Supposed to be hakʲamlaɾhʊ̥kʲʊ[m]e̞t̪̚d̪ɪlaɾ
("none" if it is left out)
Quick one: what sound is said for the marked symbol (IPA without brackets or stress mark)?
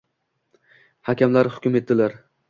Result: m